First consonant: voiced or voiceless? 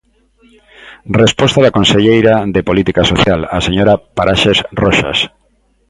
voiced